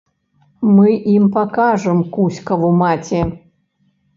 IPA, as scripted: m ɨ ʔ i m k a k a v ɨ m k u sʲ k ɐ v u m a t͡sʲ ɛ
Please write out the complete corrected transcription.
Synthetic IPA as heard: m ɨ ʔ i m p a k a ʐ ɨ m k u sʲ k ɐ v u m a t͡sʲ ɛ